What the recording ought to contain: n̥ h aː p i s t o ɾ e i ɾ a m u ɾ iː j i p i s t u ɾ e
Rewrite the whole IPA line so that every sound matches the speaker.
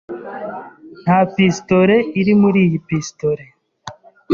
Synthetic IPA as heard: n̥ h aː p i s t o ɾ e i ɾ i m u ɾ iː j i p i s t o ɾ e